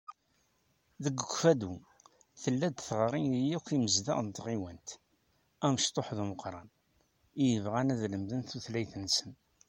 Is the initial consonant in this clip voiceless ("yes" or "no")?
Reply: no